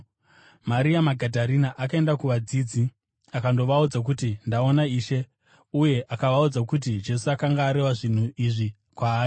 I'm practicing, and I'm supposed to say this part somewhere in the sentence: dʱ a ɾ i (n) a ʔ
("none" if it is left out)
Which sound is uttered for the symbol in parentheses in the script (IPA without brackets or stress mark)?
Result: n